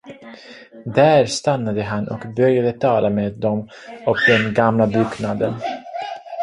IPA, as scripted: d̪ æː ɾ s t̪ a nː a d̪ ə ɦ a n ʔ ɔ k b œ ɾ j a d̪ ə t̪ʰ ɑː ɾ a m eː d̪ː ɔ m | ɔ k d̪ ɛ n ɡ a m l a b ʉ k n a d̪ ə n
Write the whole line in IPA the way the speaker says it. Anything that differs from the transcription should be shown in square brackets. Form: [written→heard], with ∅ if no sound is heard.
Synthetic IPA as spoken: d̪ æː ɾ s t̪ a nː a d̪ ə ɦ a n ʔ ɔ k b œ ɾ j a d̪ ə t̪ʰ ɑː [ɾ→l] a m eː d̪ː ɔ m | ɔ k d̪ ɛ n ɡ a m l a b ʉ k n a d̪ ə n